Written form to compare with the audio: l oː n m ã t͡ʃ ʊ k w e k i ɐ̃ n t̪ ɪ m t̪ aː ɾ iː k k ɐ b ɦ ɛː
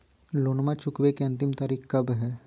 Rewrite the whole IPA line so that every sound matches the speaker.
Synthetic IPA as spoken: l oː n m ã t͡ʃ ʊ k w e k e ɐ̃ n t̪ ɪ m t̪ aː ɾ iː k k ɐ b ɦ ɛː